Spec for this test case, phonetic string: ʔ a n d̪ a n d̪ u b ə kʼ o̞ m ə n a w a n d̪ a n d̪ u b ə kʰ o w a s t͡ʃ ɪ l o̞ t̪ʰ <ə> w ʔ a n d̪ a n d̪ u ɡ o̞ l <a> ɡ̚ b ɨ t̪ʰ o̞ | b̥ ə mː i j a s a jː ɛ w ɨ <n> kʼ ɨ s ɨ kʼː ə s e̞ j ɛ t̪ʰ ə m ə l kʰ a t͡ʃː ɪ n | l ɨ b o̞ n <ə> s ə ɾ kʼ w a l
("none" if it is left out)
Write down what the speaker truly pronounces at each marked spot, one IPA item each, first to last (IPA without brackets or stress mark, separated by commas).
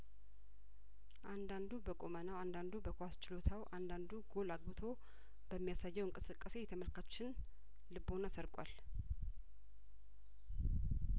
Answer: a, a, ŋ, a